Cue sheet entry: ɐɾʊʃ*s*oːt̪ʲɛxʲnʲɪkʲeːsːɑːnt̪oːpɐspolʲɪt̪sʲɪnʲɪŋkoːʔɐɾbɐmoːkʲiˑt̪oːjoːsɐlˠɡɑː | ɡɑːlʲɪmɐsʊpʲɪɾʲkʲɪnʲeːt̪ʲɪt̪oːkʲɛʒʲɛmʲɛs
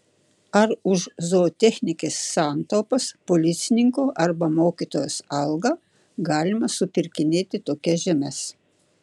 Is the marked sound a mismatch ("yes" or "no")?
yes